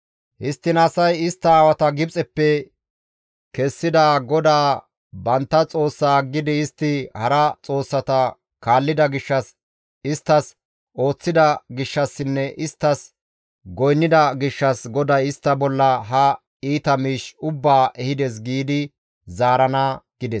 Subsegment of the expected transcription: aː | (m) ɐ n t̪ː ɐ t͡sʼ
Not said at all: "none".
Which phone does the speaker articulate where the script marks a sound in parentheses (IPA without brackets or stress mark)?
b